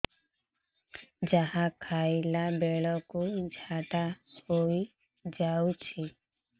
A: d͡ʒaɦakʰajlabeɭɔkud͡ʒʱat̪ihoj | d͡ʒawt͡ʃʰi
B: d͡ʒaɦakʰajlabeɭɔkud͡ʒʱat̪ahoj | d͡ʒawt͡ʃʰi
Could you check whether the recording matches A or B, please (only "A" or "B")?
B